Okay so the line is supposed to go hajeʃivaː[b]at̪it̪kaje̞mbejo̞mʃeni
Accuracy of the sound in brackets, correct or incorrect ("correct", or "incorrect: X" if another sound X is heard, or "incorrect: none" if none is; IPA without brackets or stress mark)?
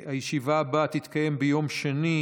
correct